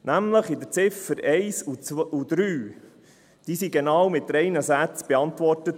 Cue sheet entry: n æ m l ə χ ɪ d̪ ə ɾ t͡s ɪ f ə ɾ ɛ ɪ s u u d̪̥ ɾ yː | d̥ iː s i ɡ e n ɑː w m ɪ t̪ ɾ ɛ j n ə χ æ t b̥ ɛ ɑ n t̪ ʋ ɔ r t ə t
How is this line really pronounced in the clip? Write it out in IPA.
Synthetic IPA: n æ m l ə χ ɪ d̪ ə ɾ t͡s ɪ f ə ɾ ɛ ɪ s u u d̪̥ ɾ yː | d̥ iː s i ɡ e n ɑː w m ɪ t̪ ɾ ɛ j n ə s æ t͡s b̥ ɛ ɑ n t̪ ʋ ɔ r t ə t